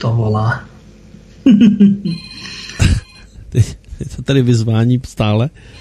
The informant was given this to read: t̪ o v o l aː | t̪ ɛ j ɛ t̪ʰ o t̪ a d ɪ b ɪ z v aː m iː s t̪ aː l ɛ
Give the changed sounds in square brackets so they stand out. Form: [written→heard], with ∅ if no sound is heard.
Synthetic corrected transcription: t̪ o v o l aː | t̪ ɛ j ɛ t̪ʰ o t̪ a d ɪ [b→v] ɪ z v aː [m→ɲ] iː s t̪ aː l ɛ